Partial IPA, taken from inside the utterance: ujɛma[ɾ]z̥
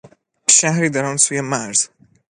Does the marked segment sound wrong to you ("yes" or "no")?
no